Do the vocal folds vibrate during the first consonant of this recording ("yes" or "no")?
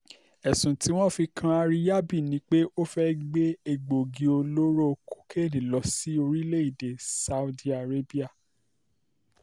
no